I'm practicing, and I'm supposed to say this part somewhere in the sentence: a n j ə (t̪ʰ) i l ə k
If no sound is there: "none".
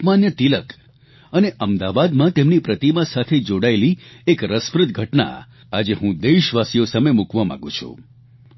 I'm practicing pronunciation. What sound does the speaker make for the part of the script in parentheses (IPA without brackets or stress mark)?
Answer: t̪